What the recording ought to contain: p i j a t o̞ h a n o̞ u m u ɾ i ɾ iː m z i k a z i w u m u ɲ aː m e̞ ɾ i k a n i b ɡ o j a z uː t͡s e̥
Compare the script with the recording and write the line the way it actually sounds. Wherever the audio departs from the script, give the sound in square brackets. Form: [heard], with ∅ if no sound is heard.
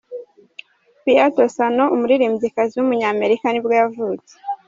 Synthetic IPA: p i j a t o̞ [s] a n o̞ u m u ɾ i ɾ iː m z i k a z i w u m u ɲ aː m e̞ ɾ i k a n i b ɡ o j a [v] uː t͡s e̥